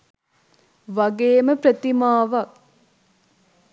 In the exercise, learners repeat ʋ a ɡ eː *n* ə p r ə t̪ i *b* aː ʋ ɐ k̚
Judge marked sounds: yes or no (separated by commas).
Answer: no, no